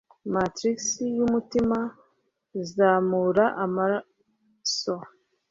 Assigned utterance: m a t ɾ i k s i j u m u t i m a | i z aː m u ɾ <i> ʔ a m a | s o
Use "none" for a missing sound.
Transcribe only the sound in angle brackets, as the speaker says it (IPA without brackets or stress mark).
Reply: a